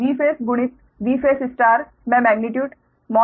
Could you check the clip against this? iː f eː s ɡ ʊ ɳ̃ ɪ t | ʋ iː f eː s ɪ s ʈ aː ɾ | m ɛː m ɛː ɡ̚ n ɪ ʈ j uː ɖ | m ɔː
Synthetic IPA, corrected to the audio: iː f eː s ɡ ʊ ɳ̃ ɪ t | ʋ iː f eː s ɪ s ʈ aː ɾ | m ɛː m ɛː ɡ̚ n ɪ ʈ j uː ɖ | m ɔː